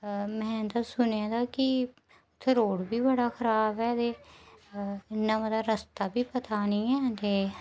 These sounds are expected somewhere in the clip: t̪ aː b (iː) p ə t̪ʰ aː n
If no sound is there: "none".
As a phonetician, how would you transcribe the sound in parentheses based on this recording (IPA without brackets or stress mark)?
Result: iː